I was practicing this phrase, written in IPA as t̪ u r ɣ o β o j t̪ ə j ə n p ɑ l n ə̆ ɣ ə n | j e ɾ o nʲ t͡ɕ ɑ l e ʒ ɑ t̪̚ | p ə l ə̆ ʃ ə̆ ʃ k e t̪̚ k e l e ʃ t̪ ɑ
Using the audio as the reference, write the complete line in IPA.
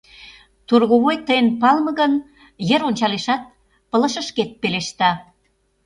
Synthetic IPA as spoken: t̪ u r ɣ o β o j t̪ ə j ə n p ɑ l m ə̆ ɣ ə n | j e ɾ o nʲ t͡ɕ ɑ l e ʃ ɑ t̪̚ | p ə l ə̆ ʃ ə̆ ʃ k e t̪̚ p e l e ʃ t̪ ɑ

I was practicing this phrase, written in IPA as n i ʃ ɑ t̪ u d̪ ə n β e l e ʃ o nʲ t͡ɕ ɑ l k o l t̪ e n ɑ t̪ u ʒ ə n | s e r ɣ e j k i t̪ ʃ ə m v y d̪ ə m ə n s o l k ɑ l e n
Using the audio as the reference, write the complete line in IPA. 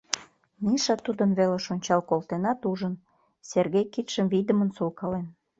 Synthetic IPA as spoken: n i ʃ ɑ t̪ u d̪ ə n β e l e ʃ o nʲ t͡ɕ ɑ l k o l t̪ e n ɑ t̪ u ʒ ə n | s e r ɣ e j k i t̪ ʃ ə m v i d̪ ə m ə n s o l k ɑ l e n

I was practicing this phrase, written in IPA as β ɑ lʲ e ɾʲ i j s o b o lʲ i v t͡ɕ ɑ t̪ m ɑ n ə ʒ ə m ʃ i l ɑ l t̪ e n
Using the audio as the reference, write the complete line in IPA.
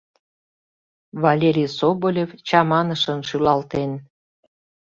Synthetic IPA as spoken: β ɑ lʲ e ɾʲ i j s o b o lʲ e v t͡ɕ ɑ m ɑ n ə ʃ ə n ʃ y l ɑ l t̪ e n

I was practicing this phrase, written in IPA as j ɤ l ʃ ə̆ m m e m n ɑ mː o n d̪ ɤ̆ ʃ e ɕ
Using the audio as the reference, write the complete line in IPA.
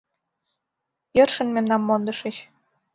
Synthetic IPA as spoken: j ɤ r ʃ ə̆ n m e m n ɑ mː o n d̪ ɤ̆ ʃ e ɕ

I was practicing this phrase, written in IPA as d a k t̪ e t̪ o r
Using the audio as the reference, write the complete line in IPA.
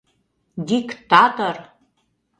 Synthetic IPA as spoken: d i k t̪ a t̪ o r

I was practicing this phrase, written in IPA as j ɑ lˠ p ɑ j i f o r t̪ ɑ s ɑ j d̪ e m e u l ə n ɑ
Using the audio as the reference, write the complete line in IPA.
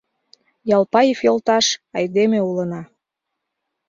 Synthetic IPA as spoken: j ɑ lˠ p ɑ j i f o l t̪ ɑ ʃ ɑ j d̪ e m e u l ə n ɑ

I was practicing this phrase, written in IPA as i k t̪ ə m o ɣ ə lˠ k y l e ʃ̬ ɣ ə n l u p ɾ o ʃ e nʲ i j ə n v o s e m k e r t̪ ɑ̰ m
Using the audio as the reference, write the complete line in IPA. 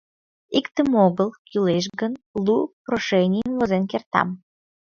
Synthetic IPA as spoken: i k t̪ ə m o ɣ ə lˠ k y l e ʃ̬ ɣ ə n l u p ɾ o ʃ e nʲ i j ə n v o z e n k e r t̪ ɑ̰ m

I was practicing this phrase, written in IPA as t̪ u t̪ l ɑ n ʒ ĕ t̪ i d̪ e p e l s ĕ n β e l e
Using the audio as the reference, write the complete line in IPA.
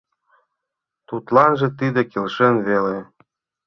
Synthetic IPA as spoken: t̪ u t̪ l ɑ n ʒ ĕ t̪ i d̪ e k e l ʃ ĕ n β e l e

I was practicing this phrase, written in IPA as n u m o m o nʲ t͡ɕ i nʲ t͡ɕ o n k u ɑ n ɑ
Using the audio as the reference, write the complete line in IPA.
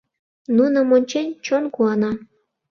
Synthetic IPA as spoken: n u n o m o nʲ t͡ɕ e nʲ t͡ɕ o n k u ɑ n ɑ

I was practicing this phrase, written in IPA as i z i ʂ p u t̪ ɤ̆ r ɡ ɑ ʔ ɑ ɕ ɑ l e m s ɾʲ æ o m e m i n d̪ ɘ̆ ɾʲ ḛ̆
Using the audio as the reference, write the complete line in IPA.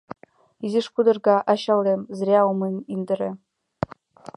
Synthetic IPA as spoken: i z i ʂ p u d̪ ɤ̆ r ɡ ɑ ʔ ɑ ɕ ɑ l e m z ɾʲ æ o m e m i n d̪ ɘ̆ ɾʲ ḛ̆

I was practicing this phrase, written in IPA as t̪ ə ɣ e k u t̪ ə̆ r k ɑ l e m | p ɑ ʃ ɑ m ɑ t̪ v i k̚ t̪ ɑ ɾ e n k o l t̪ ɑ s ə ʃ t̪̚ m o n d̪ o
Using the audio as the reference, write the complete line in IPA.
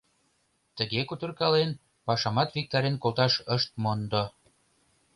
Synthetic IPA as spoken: t̪ ə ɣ e k u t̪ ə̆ r k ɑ l e n | p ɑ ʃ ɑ m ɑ t̪ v i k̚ t̪ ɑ ɾ e n k o l t̪ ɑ ʃ ə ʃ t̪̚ m o n d̪ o

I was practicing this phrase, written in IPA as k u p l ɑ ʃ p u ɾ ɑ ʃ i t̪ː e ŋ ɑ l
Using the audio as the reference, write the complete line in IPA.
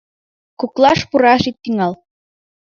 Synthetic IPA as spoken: k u k l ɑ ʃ p u ɾ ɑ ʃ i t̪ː i ŋ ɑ l

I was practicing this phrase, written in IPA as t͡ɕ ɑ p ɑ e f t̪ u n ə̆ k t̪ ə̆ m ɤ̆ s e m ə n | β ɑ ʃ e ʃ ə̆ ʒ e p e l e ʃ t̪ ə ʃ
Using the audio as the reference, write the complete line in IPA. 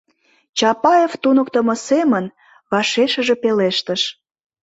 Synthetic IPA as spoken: t͡ɕ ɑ p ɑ e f t̪ u n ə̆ k t̪ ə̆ m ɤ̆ s e m ə n | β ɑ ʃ e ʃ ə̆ ʒ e p e l e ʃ t̪ ə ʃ

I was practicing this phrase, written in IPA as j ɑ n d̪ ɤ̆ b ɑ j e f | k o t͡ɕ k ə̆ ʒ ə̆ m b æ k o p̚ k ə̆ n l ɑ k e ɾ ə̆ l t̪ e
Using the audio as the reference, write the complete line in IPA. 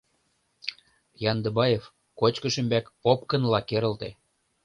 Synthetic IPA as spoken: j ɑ n d̪ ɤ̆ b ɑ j e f | k o t͡ɕ k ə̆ ʃ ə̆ m b æ k o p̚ k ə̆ n l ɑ k e ɾ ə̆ l t̪ e

